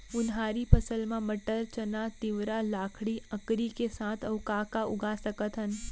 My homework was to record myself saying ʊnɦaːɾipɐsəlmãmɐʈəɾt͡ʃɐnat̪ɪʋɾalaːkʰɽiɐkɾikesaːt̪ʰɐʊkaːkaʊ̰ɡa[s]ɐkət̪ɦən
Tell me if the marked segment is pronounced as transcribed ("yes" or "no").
yes